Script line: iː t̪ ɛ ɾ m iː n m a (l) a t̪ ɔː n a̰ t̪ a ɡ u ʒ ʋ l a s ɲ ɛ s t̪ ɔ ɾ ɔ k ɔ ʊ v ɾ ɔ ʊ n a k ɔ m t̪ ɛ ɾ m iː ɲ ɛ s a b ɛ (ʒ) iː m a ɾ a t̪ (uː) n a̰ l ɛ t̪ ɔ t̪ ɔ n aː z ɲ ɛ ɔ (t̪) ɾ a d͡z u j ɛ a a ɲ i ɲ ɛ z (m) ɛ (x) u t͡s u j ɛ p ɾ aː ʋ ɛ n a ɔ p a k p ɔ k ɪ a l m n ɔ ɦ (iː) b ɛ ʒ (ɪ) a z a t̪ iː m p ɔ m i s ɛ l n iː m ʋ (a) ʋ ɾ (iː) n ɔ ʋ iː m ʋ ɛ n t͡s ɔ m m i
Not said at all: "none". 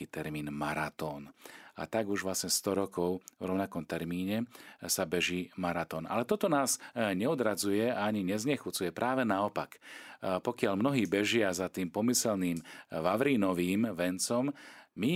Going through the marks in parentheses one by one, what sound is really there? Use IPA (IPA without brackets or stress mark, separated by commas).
ɾ, ʒ, ɔː, d̪, ɲ, x, iː, ɪ, a, iː